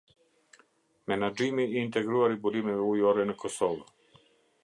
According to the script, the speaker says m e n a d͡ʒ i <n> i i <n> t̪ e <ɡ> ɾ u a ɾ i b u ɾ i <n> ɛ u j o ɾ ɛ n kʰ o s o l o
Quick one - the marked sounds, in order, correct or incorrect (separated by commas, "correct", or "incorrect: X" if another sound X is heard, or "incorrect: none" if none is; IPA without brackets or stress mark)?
incorrect: m, correct, correct, incorrect: m